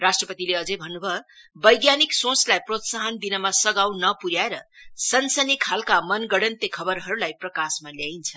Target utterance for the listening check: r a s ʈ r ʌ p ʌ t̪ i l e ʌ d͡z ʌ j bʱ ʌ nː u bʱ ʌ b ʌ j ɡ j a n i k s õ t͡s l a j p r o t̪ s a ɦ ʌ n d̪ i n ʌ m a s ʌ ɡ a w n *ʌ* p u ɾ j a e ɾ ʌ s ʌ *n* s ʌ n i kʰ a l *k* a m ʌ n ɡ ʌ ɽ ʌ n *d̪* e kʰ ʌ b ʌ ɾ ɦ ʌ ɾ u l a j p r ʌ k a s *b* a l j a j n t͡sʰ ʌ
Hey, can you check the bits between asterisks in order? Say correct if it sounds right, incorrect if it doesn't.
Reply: correct, correct, correct, incorrect: t̪, incorrect: m

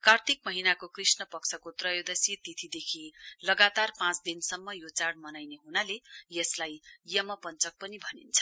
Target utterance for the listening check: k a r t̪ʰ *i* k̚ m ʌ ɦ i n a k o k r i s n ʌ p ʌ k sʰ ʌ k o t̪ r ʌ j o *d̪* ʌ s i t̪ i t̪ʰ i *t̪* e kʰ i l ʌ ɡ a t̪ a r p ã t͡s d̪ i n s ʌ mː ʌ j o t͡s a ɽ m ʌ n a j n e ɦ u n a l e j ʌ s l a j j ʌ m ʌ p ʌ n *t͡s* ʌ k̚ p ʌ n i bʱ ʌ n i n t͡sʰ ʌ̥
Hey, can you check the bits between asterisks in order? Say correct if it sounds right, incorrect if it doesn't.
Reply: correct, correct, incorrect: d̪, correct

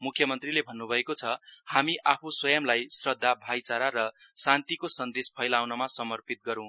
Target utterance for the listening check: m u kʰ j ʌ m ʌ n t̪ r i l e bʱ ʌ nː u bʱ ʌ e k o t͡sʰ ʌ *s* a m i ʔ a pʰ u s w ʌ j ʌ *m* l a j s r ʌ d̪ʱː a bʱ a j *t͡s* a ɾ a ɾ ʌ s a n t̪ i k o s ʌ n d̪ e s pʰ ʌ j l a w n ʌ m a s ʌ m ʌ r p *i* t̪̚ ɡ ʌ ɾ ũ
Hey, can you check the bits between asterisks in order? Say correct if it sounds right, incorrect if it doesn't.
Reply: incorrect: h, correct, correct, correct

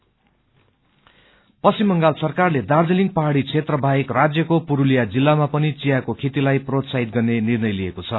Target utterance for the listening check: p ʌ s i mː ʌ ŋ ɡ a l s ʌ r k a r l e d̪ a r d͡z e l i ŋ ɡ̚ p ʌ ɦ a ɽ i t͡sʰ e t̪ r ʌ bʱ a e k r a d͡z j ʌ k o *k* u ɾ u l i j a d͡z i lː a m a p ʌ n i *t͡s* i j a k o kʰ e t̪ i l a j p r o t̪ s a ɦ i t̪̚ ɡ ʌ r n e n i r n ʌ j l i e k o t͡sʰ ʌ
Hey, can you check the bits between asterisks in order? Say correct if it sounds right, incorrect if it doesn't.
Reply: incorrect: p, correct

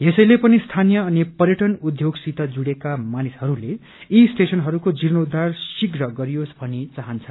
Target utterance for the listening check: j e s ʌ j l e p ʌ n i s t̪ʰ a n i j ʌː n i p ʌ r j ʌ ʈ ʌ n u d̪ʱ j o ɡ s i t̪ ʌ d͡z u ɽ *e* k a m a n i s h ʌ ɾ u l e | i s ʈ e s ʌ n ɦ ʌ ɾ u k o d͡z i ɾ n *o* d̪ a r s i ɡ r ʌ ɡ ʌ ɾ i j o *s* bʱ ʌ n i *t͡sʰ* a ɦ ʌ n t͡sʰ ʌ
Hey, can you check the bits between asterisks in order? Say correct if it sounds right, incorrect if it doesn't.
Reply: correct, correct, correct, incorrect: t͡s

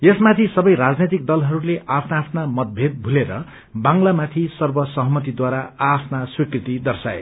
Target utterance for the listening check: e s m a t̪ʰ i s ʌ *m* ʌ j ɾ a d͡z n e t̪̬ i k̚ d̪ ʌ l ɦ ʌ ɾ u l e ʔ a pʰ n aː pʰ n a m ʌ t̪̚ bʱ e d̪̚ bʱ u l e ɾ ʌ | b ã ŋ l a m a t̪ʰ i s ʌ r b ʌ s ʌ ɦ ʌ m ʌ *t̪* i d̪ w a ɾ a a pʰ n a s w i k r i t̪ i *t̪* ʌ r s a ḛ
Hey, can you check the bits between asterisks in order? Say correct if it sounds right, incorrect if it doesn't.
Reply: incorrect: b, correct, incorrect: d̪

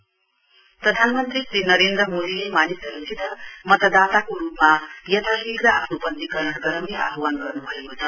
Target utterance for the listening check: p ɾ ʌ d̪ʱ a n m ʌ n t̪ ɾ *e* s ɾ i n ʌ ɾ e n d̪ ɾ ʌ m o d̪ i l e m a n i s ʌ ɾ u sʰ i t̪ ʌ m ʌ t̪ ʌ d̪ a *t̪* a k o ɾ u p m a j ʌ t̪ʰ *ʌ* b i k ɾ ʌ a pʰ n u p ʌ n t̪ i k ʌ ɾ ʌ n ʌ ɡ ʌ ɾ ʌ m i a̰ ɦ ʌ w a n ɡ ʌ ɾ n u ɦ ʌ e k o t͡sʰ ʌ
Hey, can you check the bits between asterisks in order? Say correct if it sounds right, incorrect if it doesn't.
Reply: incorrect: i, correct, incorrect: a

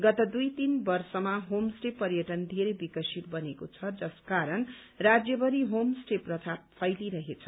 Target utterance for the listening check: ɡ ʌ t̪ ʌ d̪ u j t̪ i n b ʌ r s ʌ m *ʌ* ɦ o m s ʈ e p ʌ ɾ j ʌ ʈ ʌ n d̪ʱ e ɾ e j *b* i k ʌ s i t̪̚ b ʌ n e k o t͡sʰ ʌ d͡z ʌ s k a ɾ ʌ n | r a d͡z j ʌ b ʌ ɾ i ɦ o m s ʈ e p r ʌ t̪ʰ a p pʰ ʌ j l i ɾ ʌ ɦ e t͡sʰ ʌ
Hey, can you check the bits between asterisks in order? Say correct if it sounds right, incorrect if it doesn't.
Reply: incorrect: a, correct

